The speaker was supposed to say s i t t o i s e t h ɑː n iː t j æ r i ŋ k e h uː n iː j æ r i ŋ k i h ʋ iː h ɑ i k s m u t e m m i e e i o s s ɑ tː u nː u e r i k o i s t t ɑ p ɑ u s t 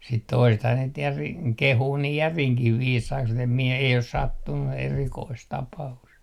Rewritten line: s i t t o i s e t h ɑː n iː t j æ r i ŋ k e h uː n iː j æ r i ŋ k i h ʋ iː s ɑ i k s m u t e m m i e e i o s s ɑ tː u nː u e r i k o i s t t ɑ p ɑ u s t